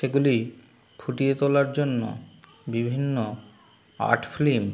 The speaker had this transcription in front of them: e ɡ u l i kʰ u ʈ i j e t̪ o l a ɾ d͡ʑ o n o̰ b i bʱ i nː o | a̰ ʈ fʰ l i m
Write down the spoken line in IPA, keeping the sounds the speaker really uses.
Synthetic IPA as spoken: e ɡ u l i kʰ u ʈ i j e t̪ o l a ɾ d͡ʑ o nː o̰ b i bʱ i nː o | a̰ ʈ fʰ l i m